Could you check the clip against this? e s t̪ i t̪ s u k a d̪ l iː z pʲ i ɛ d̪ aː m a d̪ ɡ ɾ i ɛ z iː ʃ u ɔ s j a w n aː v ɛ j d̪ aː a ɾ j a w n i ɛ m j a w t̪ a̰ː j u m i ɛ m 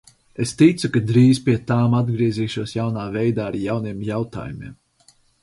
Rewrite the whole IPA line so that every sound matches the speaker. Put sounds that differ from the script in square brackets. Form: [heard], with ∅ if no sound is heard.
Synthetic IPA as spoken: e s t̪ i t̪ s u k a d̪ [ɾ] iː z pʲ i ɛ [t̪] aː m a d̪ ɡ ɾ i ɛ z iː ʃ u ɔ s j a w n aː v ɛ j d̪ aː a ɾ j a w n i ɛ m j a w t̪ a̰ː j u m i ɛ m